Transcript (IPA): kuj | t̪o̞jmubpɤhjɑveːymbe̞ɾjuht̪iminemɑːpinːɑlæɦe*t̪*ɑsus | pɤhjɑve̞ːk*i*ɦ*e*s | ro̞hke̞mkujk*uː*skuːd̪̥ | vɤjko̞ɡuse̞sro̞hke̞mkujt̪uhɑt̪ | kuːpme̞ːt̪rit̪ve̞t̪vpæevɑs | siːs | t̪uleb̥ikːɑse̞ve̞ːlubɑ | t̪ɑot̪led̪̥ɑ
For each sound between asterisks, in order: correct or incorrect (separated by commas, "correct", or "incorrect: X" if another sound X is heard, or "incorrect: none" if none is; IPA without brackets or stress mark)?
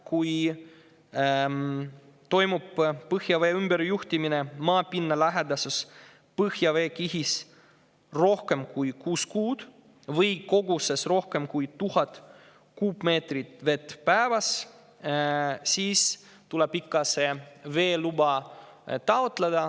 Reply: incorrect: d̪, correct, incorrect: i, correct